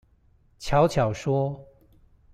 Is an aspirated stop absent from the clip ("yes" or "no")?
no